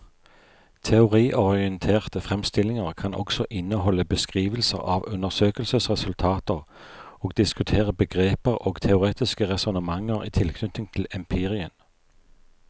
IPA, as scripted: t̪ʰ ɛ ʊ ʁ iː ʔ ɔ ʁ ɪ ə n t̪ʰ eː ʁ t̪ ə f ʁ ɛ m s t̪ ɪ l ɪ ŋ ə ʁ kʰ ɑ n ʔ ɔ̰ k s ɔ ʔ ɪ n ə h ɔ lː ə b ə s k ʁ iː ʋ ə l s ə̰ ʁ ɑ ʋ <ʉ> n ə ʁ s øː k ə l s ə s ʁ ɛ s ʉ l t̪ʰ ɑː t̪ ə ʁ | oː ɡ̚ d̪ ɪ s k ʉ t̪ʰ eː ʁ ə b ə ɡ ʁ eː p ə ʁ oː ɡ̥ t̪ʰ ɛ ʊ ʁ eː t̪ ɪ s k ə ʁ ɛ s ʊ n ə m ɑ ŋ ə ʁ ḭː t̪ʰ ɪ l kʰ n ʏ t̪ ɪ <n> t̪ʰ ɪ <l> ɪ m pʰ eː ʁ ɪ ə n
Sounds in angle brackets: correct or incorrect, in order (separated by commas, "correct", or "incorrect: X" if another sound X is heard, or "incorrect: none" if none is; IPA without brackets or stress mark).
correct, incorrect: ŋ, correct